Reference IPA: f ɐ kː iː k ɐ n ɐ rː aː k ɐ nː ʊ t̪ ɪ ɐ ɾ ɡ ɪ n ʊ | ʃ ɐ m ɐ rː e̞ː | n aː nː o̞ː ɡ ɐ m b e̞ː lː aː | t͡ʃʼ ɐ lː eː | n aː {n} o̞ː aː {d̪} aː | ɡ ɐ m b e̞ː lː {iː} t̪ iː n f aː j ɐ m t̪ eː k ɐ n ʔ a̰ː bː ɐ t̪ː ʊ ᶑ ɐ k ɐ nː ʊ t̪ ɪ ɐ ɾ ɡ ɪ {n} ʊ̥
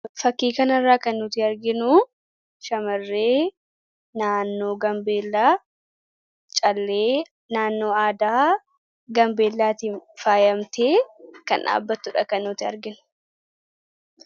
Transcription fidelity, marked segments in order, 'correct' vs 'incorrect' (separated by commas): incorrect, correct, incorrect, correct